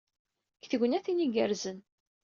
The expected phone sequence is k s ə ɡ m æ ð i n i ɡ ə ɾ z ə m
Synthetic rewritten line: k θ ə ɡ n æ θ i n i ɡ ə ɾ z ə n